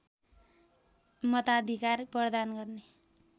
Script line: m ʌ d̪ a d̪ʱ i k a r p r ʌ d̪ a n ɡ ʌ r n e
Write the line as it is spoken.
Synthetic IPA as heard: m ʌ t̪ a d̪ʱ i k a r p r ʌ d̪ a n ɡ ʌ r n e